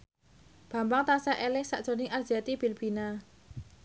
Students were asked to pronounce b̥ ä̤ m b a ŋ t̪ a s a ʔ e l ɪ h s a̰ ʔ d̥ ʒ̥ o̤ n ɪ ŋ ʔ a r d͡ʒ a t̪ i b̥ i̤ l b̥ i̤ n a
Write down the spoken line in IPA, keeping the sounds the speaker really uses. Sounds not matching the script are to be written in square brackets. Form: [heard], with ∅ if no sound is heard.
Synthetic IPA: b̥ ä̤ m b a ŋ t̪ a s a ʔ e l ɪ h s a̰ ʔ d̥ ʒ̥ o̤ n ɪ ŋ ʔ a r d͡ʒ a t̪ i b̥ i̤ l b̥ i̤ n a